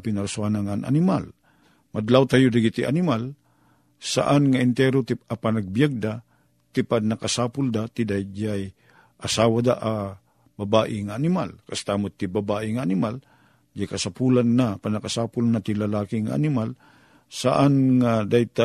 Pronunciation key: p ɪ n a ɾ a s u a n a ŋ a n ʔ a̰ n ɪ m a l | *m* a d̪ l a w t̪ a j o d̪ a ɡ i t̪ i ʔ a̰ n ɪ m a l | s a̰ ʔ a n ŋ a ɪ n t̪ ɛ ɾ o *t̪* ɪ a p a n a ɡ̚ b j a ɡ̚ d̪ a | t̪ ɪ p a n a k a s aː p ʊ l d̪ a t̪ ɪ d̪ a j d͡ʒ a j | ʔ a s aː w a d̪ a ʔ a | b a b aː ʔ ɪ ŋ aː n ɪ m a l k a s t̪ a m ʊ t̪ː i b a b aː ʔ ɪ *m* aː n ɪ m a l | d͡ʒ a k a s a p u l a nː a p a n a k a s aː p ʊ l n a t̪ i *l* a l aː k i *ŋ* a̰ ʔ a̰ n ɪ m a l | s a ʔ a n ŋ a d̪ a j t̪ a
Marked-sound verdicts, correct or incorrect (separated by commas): correct, correct, incorrect, correct, correct